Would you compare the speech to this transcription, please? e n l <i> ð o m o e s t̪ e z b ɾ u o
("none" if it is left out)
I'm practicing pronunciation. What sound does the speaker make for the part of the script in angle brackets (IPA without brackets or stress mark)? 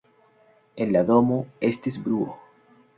a